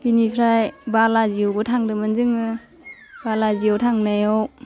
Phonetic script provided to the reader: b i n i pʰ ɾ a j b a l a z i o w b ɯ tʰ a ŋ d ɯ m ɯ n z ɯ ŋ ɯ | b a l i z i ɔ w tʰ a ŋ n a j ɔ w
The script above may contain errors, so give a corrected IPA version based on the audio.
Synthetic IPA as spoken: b i n i pʰ ɾ a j b a l a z i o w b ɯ tʰ a ŋ d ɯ m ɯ n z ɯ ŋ ɯ | b a l a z i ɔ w tʰ a ŋ n a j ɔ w

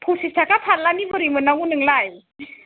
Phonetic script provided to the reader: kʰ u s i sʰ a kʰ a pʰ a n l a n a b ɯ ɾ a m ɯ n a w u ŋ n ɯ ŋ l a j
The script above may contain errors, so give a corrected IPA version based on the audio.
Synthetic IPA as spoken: pʰ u s i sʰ a k a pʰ a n l a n i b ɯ ɾ i m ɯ n a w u n ɯ ŋ l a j

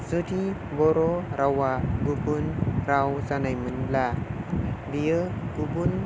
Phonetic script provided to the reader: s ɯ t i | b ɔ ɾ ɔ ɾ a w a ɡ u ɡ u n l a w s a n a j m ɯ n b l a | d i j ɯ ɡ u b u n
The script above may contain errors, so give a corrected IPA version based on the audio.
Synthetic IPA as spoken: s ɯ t i | b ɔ ɾ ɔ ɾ a w a ɡ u b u n ɾ a w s a n a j m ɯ n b l a | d i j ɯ ɡ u b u n

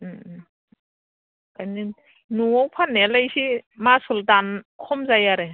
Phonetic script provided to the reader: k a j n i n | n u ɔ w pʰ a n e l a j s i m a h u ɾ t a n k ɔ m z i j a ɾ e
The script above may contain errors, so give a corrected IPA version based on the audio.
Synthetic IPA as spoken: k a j n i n | n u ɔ w pʰ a n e l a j s i m a s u l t a n kʰ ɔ m z a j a ɾ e

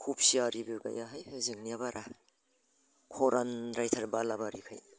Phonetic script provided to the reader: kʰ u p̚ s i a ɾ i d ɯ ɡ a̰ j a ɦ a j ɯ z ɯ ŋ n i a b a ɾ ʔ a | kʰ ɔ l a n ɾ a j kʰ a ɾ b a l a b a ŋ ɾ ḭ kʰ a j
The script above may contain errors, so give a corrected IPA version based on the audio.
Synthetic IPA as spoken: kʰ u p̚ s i a ɾ i b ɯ ɡ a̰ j a ɦ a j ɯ z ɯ ŋ n i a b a ɾ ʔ a | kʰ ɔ ɾ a n ɾ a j tʰ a ɾ b a l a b a ɾ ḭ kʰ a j

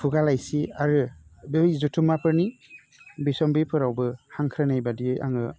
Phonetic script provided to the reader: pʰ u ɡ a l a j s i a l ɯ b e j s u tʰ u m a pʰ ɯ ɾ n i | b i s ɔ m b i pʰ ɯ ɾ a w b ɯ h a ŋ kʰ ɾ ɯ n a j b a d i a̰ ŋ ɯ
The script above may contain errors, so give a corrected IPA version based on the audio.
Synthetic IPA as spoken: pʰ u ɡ a l a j s i a ɾ ɯ b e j z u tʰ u m a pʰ ɯ ɾ n i | b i s ɔ m b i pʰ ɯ ɾ a w b ɯ h a ŋ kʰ ɾ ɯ n a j b a d i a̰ ŋ ɯ

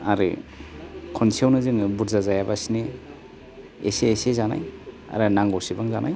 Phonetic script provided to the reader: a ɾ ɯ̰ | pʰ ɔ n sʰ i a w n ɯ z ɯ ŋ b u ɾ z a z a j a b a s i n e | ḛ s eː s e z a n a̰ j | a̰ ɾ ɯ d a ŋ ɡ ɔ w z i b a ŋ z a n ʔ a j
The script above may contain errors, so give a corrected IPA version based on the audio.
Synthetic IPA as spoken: a ɾ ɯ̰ | kʰ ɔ n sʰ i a w n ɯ z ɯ ŋ b u ɾ z a z a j a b a s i n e | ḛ s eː s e z a n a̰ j | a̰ ɾ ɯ n a ŋ ɡ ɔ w s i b a ŋ z a n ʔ a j

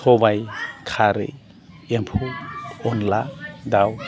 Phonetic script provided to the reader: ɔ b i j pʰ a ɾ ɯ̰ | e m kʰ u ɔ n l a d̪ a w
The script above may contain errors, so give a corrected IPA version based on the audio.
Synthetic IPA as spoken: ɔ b a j kʰ a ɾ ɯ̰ | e m pʰ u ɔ n l a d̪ a w

